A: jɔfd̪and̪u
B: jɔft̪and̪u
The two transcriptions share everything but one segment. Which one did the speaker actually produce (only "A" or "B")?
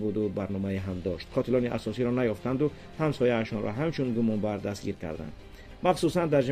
B